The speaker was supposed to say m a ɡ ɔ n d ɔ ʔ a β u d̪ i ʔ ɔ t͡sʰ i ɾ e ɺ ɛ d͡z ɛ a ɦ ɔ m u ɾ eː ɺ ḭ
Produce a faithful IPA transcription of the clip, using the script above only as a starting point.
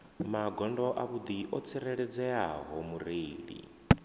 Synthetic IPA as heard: m a ɡ ɔ n d ɔ ʔ a β u d̪ i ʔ ɔ t͡sʰ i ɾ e ɺ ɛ d͡z ɛ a ɦ ɔ m u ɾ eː ɺ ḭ